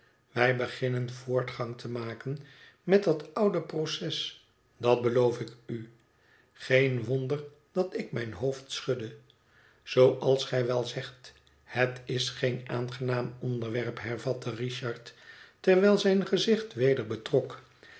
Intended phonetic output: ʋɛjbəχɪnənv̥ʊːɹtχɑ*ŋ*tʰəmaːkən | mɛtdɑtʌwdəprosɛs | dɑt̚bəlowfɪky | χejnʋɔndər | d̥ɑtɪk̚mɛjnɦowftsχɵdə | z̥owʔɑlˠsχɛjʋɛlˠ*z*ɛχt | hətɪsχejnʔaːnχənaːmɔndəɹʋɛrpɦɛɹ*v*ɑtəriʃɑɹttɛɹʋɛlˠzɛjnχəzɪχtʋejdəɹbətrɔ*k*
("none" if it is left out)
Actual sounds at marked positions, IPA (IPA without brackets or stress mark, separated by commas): ŋ, z, v, k